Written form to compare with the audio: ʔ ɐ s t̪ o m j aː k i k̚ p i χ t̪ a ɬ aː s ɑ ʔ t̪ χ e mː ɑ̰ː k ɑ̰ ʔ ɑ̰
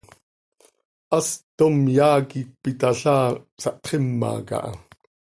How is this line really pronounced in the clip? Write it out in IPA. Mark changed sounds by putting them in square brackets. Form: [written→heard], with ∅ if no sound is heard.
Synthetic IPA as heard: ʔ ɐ s t̪ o m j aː k i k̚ p i [χ→∅] t̪ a ɬ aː s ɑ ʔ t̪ χ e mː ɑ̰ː k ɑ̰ ʔ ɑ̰